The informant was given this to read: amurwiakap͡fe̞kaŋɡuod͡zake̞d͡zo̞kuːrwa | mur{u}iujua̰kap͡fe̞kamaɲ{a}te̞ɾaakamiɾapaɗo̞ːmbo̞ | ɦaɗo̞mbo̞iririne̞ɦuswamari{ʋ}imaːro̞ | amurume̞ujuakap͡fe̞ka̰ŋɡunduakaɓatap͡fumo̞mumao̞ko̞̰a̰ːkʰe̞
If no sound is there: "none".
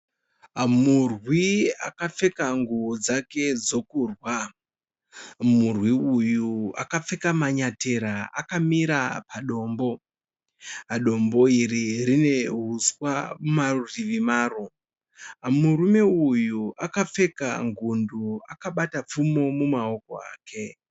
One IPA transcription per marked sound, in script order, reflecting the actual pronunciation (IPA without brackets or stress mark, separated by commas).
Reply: w, a, ʋ